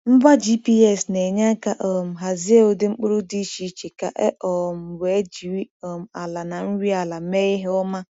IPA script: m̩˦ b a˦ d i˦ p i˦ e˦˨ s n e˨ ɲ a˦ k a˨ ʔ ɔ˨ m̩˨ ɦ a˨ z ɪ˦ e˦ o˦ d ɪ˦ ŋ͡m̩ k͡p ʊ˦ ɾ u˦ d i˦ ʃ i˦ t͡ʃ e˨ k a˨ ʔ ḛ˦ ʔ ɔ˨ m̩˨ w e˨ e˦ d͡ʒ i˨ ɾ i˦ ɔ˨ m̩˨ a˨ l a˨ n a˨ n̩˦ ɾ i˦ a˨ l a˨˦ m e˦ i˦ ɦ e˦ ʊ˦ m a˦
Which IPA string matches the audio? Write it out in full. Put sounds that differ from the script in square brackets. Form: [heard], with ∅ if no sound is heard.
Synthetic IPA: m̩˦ b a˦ [d͡ʒ] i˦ p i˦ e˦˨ s n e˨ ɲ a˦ k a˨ ʔ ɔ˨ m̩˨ ɦ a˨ z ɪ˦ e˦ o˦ d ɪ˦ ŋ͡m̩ k͡p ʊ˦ ɾ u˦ d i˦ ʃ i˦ t͡ʃ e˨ k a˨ ʔ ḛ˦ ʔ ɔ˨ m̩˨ w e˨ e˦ d͡ʒ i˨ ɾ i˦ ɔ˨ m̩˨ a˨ l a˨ n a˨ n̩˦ ɾ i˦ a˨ l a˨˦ m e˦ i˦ ɦ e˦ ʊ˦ m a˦

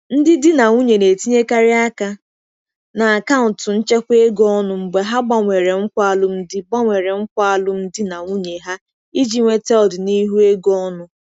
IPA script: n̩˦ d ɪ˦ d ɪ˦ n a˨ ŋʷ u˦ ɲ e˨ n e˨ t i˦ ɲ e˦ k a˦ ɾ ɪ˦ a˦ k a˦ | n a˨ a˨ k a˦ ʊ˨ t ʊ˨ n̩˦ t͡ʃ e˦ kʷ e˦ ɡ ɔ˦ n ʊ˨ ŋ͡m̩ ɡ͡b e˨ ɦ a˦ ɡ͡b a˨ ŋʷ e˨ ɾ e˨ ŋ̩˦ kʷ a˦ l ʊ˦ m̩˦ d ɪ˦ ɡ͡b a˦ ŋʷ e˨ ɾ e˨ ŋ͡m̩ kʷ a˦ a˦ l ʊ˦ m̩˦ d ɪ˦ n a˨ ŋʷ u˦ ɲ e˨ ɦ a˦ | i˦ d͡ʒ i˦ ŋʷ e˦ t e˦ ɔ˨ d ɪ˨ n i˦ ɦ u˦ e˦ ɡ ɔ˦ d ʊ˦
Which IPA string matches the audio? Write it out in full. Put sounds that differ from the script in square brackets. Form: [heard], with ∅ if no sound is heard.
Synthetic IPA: n̩˦ d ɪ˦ d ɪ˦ n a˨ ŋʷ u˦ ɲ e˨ n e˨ t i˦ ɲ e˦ k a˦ ɾ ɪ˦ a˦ k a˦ | n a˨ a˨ k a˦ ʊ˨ t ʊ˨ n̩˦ t͡ʃ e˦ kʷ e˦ ɡ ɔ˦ n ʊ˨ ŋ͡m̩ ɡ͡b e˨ ɦ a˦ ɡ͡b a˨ ŋʷ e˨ ɾ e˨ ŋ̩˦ kʷ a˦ l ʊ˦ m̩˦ d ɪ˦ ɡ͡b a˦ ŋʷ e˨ ɾ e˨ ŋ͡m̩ kʷ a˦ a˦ l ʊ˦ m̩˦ d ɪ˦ n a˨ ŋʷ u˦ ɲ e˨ ɦ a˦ | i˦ d͡ʒ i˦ ŋʷ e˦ t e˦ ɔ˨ d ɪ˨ n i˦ ɦ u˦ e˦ ɡ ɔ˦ [n] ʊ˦

